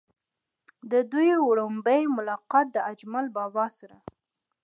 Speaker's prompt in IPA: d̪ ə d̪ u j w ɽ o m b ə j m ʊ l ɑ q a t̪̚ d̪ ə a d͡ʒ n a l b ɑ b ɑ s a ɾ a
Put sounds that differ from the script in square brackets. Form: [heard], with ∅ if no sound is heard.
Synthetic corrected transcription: d̪ ə d̪ u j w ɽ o m b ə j m ʊ l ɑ q [ɑ] t̪̚ d̪ ə a d͡ʒ [m] a l b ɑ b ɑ s a ɾ a